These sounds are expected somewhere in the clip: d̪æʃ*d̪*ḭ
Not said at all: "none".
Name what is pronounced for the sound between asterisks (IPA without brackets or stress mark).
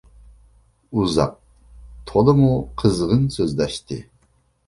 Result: t̪